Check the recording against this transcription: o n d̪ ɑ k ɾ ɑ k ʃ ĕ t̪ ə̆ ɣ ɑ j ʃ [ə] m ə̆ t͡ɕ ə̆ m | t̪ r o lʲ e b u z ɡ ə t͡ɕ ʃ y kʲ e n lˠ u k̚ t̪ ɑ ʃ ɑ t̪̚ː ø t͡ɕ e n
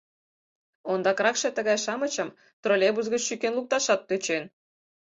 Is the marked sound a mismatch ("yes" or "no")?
yes